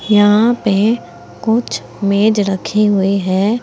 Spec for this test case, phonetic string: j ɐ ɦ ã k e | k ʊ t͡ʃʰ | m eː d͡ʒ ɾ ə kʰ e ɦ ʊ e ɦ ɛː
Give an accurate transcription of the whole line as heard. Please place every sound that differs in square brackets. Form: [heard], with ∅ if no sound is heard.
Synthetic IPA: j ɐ ɦ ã [p] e | k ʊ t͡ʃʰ | m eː d͡ʒ ɾ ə kʰ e ɦ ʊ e ɦ ɛː